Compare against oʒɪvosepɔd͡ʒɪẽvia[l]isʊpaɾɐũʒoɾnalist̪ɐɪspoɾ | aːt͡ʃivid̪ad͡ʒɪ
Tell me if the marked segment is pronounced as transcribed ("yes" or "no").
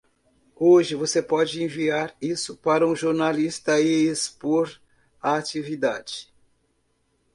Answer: no